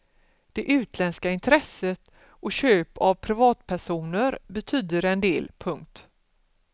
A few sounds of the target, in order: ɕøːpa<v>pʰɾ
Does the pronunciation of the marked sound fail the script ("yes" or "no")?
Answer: no